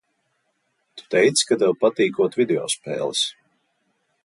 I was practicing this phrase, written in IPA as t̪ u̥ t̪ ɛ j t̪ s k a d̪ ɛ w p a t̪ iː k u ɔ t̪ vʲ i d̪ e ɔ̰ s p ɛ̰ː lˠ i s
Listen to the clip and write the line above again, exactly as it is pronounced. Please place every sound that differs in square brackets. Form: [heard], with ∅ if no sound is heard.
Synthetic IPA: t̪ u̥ t̪ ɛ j t̪ s k a d̪ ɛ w p a t̪ iː k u ɔ t̪ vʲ i d̪ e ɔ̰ s p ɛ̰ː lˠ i s